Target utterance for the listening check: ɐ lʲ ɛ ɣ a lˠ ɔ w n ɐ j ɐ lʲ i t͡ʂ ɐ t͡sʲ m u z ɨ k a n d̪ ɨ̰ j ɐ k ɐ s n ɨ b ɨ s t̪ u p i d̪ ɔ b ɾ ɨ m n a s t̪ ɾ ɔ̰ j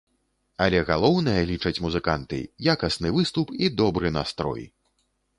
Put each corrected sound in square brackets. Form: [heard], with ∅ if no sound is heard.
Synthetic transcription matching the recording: ɐ lʲ ɛ ɣ a lˠ ɔ w n ɐ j ɐ lʲ i t͡ʂ ɐ t͡sʲ m u z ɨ k a n [t̪] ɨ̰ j [a] k ɐ s n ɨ [v] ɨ s t̪ u p i d̪ ɔ b ɾ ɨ [∅] n a s t̪ ɾ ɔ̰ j

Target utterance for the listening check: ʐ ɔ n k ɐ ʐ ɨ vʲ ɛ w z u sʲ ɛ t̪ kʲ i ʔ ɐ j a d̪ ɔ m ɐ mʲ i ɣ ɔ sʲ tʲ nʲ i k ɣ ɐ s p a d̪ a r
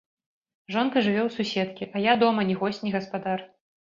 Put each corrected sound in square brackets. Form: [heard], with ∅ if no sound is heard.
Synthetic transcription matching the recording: ʐ ɔ n k ɐ ʐ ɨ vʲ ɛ w [s] u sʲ ɛ t̪ kʲ i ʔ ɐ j a d̪ ɔ m ɐ [nʲ] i ɣ ɔ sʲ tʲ nʲ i [∅] ɣ ɐ s p a d̪ a r

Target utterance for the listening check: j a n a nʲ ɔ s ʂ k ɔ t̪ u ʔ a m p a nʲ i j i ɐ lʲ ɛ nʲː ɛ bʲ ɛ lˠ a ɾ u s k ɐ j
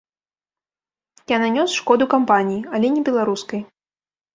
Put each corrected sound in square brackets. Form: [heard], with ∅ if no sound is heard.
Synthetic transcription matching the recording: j a n a nʲ ɔ s ʂ k ɔ [d̪] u [k] a m p a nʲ i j i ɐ lʲ ɛ [nʲ] ɛ bʲ ɛ lˠ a ɾ u s k ɐ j

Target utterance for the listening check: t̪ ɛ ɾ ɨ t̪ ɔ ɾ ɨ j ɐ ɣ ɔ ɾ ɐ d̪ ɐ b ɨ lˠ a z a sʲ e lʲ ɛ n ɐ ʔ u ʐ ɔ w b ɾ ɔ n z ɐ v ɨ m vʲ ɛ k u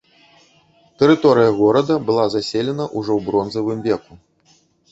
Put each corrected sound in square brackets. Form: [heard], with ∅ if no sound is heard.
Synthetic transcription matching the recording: t̪ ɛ ɾ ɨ t̪ ɔ ɾ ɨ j ɐ ɣ ɔ ɾ ɐ d̪ ɐ b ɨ lˠ a z a sʲ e lʲ ɛ n ɐ ʔ u ʐ ɔ w b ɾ ɔ n z ɐ v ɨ m vʲ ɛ k u

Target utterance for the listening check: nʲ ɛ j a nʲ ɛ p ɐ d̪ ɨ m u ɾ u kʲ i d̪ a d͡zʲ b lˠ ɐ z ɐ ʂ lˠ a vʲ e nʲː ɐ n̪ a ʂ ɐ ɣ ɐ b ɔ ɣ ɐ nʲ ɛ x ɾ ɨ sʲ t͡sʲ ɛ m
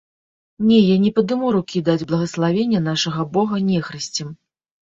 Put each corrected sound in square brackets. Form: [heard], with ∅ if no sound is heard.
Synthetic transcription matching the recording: nʲ ɛ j a nʲ ɛ p ɐ d̪ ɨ m u ɾ u kʲ i d̪ a d͡zʲ b lˠ ɐ [ɣ] ɐ [s] lˠ a vʲ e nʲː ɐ n̪ a ʂ ɐ ɣ ɐ b ɔ ɣ ɐ nʲ ɛ x ɾ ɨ sʲ t͡sʲ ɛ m

